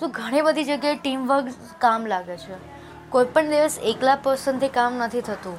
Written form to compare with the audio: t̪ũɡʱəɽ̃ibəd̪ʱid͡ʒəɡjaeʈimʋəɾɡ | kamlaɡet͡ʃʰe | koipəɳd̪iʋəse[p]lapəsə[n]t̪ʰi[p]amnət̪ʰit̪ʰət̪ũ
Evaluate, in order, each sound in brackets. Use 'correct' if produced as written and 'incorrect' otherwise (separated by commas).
incorrect, correct, incorrect